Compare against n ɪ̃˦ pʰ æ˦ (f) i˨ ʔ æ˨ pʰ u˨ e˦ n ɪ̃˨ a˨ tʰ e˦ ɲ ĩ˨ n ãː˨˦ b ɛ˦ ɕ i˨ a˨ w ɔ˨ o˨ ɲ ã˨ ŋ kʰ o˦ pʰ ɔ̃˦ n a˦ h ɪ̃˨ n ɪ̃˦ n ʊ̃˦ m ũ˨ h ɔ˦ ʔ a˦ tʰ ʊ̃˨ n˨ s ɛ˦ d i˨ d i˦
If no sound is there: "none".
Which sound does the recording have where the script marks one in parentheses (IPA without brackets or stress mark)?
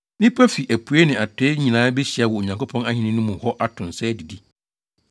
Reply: f